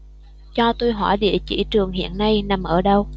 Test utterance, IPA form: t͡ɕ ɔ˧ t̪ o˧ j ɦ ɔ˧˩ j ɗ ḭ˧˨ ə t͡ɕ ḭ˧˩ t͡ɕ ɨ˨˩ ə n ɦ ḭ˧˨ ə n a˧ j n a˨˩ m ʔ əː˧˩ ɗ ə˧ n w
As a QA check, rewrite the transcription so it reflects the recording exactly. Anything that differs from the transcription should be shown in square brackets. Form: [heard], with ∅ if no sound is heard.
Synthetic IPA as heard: t͡ɕ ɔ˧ t̪ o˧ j ɦ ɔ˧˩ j ɗ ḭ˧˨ ə t͡ɕ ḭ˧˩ t͡ɕ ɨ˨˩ ə [ŋ] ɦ ḭ˧˨ ə [nː] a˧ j n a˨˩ m ʔ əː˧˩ ɗ ə˧ [∅] w

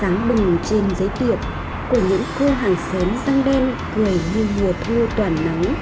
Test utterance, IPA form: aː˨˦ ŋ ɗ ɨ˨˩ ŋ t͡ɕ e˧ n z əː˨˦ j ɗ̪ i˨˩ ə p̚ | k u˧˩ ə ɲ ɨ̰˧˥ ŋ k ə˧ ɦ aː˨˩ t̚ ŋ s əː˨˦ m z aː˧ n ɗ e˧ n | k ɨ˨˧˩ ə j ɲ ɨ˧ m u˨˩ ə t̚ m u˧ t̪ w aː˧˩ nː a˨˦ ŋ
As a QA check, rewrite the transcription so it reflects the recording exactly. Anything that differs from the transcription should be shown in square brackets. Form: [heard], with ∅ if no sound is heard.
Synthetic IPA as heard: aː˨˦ ŋ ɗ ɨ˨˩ ŋ t͡ɕ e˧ n z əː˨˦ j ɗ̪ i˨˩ ə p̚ | k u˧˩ ə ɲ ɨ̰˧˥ ŋ k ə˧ ɦ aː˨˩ [∅] ŋ s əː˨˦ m z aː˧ [ŋ] ɗ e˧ n | k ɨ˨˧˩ ə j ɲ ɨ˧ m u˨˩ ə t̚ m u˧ t̪ w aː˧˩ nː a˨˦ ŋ

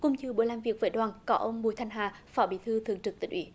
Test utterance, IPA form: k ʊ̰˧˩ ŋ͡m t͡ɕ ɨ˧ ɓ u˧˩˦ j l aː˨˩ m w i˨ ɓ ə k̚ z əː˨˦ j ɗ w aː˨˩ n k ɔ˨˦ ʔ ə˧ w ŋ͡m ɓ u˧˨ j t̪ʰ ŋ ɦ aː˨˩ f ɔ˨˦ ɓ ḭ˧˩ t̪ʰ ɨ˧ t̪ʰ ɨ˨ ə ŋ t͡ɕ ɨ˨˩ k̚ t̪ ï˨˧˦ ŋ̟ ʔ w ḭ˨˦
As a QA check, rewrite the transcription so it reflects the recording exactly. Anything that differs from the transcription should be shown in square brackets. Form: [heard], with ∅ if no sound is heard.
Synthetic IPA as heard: k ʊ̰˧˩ ŋ͡m t͡ɕ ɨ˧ ɓ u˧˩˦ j l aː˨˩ m [v] i˨ [∅] ə k̚ [v] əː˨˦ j ɗ w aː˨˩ n k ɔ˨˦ ʔ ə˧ w ŋ͡m ɓ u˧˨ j t̪ʰ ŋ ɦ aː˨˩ f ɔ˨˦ ɓ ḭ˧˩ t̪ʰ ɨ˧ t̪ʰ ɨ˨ ə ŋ t͡ɕ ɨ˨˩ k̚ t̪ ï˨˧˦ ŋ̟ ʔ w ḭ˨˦

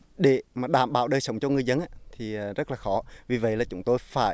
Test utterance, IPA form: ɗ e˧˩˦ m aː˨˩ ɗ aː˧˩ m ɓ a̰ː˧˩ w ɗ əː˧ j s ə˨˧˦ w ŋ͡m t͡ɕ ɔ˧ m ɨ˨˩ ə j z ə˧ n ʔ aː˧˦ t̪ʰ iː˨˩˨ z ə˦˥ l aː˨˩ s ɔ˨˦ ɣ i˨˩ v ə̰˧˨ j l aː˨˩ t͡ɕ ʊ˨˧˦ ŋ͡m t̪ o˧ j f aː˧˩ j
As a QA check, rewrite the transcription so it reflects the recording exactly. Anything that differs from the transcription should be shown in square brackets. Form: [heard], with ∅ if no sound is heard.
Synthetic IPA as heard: ɗ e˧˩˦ m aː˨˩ ɗ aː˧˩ m ɓ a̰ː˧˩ w ɗ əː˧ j s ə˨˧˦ w ŋ͡m t͡ɕ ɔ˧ [ŋ] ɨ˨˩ ə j z ə˧ n ʔ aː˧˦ t̪ʰ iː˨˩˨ z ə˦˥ l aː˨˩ [x] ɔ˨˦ [v] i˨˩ v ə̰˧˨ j l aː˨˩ t͡ɕ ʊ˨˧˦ ŋ͡m t̪ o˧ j f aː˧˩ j

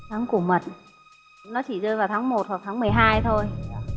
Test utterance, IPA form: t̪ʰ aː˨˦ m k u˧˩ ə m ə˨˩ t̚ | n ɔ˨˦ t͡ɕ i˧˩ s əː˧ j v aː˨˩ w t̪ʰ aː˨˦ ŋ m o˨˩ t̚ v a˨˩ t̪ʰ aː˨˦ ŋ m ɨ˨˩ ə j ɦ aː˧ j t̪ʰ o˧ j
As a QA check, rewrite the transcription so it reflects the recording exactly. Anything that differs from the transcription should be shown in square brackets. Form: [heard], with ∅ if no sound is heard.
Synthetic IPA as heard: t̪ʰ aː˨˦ [ŋ] k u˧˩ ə m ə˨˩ t̚ | n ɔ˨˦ t͡ɕ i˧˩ [z] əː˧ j v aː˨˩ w t̪ʰ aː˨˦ ŋ m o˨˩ t̚ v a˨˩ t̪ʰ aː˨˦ ŋ m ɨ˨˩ ə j ɦ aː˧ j t̪ʰ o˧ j

